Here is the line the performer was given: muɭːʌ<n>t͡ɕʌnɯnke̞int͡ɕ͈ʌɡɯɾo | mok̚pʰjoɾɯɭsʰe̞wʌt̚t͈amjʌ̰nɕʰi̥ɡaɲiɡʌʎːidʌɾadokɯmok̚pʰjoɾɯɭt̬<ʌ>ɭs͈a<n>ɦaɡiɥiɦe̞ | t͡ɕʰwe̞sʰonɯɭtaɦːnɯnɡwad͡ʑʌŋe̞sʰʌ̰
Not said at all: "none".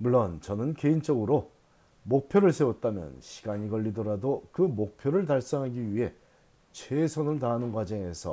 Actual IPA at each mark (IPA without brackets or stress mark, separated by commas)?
n, a, ŋ